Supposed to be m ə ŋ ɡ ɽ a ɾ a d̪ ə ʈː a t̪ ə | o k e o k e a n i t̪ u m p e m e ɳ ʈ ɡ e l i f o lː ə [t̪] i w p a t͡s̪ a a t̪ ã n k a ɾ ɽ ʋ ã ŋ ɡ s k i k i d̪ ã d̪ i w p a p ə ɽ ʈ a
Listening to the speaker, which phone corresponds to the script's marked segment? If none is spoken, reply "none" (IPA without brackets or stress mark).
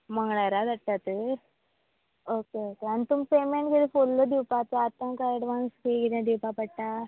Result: d̪